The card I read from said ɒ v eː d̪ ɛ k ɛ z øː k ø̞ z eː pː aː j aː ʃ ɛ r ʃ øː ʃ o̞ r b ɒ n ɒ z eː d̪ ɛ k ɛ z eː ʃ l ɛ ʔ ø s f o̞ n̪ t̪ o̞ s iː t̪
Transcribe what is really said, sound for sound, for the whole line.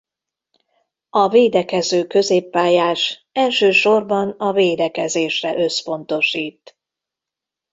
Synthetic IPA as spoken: ɒ v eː d̪ ɛ k ɛ z øː k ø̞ z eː pː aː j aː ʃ ɛ l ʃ øː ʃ o̞ r b ɒ n ɒ v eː d̪ ɛ k ɛ z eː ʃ r ɛ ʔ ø s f o̞ n̪ t̪ o̞ ʃ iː t̪